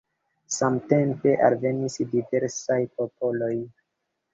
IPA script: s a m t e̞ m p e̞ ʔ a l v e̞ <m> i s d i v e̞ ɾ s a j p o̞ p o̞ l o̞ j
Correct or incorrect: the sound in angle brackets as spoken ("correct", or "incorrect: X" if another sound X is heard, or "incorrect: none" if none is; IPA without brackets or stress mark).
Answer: incorrect: n